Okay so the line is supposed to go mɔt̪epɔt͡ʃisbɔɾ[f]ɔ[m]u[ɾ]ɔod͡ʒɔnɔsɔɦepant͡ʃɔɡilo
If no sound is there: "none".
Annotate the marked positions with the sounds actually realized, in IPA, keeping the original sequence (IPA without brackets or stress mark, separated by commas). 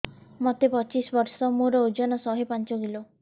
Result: s, m, ɾ